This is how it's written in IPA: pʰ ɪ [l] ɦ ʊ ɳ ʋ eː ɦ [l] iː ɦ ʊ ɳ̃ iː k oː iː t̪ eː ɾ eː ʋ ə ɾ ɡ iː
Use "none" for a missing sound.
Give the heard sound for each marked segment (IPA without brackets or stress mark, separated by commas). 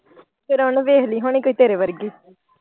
ɾ, l